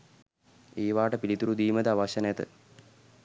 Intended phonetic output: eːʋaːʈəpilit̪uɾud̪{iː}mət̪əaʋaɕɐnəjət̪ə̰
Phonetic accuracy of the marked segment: correct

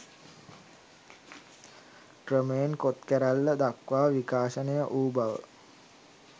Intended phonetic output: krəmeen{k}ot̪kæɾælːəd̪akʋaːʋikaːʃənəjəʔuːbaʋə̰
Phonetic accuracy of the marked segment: correct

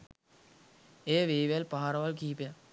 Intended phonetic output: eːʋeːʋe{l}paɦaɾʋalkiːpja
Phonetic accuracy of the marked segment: correct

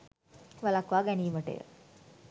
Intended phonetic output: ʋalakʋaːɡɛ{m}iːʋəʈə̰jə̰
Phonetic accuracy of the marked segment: incorrect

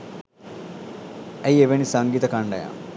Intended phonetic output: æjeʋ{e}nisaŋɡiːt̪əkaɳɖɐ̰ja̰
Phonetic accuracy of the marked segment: correct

